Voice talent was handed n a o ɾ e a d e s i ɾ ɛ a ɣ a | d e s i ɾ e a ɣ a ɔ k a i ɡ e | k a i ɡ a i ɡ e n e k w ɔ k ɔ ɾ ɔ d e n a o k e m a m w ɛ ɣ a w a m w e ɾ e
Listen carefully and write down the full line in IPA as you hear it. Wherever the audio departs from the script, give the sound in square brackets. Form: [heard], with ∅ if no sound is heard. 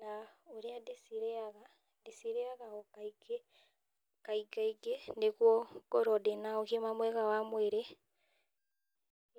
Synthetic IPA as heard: n a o ɾ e a d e s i ɾ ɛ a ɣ a | d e s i ɾ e a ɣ a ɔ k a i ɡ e | k a i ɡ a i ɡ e n e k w ɔ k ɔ ɾ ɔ d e n a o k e m a m w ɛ ɣ a w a m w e ɾ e